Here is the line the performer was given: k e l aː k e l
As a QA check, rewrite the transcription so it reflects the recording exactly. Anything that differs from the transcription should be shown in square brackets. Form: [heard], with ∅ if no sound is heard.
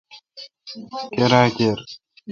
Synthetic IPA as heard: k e [ɾ] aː k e [ɾ]